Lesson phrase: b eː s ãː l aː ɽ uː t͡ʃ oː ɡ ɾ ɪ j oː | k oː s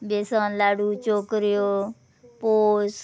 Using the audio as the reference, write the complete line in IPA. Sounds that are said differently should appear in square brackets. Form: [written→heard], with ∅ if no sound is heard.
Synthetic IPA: b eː s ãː l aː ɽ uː t͡ʃ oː [ɡ→k] ɾ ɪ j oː | [k→p] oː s